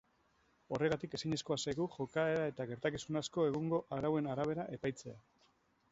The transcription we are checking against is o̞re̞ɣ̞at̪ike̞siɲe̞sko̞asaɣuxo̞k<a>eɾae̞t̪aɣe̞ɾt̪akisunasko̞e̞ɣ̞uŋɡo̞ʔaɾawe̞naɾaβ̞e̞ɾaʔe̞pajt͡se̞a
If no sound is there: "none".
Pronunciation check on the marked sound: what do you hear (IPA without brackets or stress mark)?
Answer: a